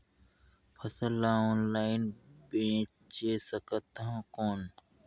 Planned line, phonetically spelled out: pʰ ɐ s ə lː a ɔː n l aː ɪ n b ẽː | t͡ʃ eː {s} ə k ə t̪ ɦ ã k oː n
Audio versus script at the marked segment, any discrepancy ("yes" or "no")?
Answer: no